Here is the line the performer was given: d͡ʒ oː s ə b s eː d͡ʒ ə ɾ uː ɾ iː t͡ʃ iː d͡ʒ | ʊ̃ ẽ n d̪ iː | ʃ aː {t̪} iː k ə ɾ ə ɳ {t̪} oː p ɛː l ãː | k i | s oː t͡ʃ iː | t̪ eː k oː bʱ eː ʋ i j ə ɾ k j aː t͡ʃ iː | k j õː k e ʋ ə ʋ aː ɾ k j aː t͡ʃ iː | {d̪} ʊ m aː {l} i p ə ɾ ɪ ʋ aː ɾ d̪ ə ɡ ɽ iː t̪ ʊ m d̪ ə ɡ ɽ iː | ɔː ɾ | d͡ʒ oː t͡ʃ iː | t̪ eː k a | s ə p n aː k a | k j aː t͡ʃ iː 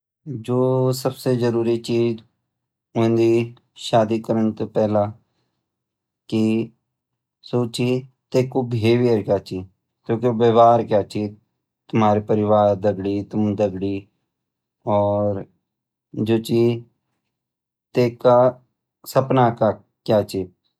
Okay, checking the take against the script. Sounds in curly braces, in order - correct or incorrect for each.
incorrect, correct, incorrect, incorrect

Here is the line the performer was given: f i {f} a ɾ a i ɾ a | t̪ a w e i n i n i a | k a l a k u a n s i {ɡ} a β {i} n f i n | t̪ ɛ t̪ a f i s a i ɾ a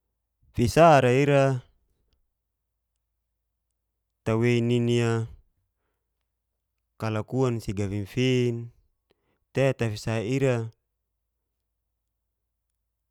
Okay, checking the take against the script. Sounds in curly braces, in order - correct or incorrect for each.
incorrect, correct, correct

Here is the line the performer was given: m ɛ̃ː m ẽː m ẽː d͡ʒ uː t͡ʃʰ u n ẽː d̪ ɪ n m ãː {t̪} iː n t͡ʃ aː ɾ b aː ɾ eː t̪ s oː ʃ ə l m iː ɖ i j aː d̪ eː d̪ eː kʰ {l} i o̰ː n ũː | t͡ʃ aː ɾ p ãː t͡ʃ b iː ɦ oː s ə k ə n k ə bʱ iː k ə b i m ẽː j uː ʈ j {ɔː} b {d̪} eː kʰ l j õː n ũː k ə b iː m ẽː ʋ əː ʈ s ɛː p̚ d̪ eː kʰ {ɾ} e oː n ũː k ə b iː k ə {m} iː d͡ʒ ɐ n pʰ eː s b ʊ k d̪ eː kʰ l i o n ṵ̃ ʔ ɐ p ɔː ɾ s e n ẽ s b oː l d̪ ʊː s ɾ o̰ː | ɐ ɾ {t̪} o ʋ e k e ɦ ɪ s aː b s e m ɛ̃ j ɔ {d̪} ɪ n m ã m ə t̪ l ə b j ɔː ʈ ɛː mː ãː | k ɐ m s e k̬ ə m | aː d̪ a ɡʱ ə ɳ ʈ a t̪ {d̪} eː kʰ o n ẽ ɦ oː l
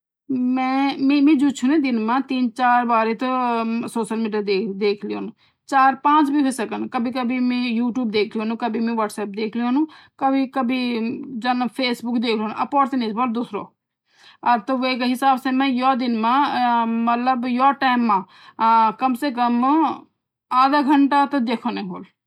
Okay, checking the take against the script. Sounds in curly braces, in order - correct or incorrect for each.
correct, correct, incorrect, correct, incorrect, incorrect, correct, correct, correct

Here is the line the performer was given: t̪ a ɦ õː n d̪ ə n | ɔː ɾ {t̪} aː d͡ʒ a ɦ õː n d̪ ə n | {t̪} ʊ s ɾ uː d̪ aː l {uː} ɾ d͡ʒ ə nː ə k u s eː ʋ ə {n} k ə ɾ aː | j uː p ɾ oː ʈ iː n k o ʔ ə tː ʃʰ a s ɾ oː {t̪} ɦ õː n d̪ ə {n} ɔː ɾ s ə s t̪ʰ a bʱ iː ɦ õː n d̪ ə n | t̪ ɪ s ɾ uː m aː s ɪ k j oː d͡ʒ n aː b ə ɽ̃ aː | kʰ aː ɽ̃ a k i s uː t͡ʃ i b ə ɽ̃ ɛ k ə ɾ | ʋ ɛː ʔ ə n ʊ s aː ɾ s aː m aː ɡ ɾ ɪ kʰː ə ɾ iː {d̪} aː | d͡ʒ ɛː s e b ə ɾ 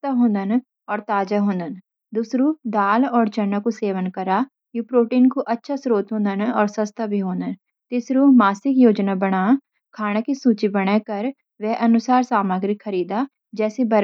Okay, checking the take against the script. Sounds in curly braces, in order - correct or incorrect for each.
correct, incorrect, incorrect, correct, correct, correct, correct

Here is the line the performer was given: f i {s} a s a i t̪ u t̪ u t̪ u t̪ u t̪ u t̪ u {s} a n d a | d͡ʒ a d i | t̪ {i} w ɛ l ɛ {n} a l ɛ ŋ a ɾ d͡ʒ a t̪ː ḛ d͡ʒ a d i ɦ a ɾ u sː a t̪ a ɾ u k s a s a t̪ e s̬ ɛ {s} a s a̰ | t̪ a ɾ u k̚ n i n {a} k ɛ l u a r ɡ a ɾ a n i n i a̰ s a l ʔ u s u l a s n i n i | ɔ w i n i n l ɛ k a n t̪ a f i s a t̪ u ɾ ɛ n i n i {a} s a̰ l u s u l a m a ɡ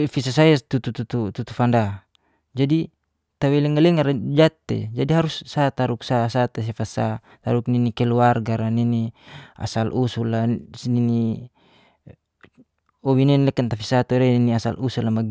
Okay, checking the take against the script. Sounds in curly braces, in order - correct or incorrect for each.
correct, incorrect, incorrect, incorrect, incorrect, incorrect, correct

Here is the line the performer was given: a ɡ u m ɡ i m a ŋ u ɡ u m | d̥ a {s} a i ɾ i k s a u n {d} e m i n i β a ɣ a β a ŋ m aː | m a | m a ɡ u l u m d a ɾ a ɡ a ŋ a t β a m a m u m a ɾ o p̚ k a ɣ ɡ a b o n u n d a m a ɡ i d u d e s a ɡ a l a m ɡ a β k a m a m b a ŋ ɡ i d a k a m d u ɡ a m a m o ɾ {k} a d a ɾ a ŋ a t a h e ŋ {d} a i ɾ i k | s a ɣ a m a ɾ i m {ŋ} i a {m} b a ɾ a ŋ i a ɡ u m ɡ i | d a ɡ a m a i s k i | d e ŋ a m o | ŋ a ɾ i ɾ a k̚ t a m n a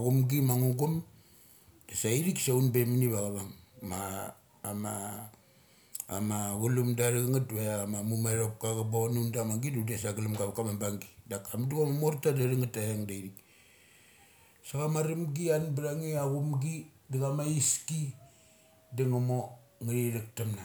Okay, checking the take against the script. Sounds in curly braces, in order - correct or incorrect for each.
correct, incorrect, incorrect, correct, incorrect, incorrect

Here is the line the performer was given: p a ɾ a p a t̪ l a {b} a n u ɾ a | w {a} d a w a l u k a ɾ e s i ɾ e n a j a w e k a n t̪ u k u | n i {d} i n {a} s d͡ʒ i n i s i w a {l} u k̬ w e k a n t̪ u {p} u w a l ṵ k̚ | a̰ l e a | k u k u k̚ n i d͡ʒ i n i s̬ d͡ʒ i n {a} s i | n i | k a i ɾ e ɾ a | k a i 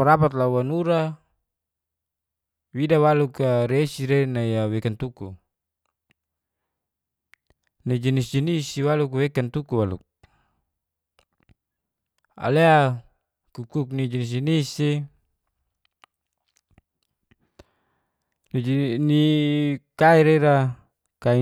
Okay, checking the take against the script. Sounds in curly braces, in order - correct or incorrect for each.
incorrect, incorrect, incorrect, incorrect, correct, incorrect, incorrect

